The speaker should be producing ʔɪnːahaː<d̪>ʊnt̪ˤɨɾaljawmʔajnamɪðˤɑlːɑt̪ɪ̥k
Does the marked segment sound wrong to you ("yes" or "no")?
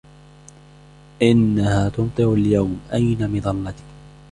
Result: yes